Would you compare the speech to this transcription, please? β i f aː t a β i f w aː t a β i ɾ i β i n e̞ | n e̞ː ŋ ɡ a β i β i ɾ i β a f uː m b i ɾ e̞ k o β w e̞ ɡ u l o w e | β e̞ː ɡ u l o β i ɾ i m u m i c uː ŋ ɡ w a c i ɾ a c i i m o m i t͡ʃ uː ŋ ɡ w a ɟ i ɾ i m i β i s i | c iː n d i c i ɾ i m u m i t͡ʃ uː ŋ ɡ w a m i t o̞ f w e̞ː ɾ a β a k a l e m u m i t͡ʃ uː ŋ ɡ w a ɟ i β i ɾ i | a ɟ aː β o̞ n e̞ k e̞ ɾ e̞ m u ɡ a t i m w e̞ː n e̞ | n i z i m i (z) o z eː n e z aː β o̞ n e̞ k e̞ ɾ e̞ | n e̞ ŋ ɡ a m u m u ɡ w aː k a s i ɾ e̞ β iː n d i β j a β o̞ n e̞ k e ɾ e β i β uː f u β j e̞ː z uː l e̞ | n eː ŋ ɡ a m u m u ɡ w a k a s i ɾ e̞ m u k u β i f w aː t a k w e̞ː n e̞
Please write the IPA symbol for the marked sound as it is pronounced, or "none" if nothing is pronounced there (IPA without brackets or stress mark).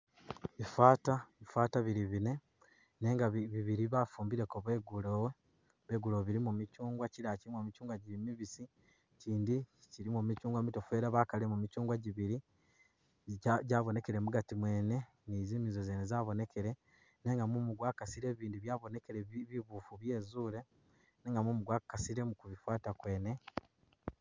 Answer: z